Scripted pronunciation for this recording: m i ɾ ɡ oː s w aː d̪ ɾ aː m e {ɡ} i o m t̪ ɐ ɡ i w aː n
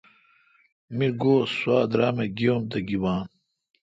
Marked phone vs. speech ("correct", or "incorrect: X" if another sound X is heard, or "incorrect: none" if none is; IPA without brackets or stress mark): correct